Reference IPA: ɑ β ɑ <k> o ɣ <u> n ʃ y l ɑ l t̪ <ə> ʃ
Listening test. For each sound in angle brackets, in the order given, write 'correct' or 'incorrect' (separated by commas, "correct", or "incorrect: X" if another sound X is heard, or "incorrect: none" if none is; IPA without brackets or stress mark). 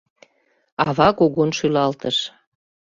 correct, incorrect: o, correct